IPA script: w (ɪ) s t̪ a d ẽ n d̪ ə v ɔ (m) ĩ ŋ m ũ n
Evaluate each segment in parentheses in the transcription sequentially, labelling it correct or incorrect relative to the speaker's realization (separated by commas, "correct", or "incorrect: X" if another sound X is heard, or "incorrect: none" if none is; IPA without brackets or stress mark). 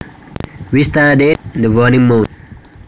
incorrect: i, incorrect: n